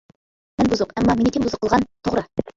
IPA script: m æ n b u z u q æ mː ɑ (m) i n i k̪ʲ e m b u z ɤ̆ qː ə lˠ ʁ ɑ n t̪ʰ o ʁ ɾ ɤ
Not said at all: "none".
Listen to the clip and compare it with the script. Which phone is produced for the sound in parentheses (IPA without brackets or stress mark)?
m